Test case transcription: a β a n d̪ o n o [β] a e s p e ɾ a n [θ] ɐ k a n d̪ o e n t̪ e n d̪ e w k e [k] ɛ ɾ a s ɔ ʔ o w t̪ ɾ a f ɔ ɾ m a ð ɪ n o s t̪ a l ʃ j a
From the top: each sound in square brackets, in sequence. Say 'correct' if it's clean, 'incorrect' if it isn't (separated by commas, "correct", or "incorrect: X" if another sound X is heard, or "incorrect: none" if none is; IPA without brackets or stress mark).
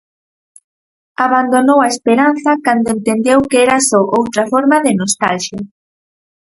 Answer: incorrect: w, correct, incorrect: none